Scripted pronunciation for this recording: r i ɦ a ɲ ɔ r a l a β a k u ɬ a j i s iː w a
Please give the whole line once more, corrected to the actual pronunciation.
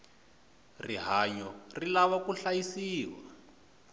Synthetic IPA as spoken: r i ɦ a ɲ ɔ r i l a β a k u ɬ a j i s iː w a